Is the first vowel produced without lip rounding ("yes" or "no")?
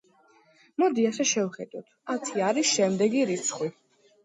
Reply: no